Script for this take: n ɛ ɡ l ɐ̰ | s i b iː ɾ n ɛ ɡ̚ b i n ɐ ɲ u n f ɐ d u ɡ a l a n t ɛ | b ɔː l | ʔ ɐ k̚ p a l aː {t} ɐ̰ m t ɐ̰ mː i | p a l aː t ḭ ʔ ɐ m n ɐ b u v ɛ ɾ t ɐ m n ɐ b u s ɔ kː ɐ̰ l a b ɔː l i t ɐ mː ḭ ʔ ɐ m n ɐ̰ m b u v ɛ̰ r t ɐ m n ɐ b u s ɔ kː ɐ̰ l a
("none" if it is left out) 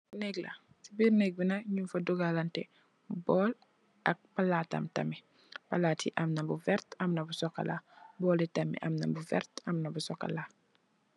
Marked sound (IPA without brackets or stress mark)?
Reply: t